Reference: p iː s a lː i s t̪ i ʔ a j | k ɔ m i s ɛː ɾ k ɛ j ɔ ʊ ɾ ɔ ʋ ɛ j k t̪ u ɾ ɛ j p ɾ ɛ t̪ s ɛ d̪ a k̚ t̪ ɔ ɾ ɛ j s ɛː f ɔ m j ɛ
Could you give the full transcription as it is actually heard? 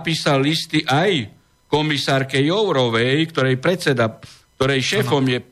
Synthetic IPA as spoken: p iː s a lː i s t̪ i ʔ a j | k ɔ m i s aː ɾ k ɛ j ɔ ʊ ɾ ɔ ʋ ɛ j k t̪ ɔ ɾ ɛ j p ɾ ɛ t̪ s ɛ d̪ a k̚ t̪ ɔ ɾ ɛ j ʃ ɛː f ɔ m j ɛ